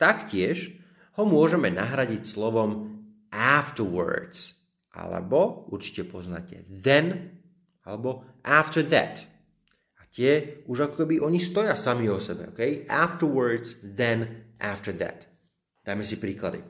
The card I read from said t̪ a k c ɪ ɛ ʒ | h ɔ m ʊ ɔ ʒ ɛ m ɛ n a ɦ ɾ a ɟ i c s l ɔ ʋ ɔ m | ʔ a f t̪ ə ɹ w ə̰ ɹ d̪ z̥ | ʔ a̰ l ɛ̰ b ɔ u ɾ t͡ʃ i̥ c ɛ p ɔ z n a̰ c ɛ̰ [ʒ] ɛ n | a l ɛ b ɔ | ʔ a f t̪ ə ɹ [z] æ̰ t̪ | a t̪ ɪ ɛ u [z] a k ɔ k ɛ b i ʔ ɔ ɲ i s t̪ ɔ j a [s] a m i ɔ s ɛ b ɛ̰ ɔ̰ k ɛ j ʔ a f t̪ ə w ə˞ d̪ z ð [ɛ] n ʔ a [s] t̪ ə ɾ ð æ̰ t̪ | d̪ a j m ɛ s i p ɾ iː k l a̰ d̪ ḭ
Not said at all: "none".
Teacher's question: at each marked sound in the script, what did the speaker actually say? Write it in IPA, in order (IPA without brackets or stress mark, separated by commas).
ð, ð, ʒ, s, ɛ, f